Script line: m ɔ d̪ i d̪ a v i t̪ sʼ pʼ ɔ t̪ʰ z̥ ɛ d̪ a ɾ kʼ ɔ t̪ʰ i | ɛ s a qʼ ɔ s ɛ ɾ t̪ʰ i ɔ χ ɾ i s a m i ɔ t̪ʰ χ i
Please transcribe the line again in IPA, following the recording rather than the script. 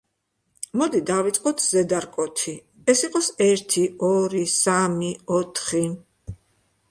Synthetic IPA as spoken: m ɔ d̪ i d̪ a v i t̪ sʼ qʼ ɔ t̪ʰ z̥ ɛ d̪ a ɾ kʼ ɔ t̪ʰ i | ɛ s i qʼ ɔ s ɛ ɾ t̪ʰ i ɔ ɾ i s a m i ɔ t̪ʰ χ i